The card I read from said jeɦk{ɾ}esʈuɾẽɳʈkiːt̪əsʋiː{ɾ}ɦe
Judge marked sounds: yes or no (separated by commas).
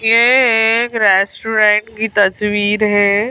yes, yes